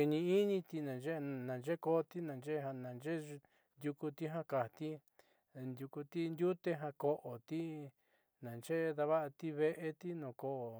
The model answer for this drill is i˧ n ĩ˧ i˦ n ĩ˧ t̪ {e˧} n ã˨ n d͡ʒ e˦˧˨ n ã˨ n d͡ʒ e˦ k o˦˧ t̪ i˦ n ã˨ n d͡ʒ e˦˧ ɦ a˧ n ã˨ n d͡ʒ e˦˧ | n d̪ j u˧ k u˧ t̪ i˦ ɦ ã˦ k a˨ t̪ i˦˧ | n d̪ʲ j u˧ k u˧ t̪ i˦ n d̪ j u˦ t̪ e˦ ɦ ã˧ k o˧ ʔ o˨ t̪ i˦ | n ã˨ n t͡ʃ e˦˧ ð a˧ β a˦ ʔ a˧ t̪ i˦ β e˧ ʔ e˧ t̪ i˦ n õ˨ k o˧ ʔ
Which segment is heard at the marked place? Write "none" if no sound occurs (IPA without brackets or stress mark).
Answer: i˧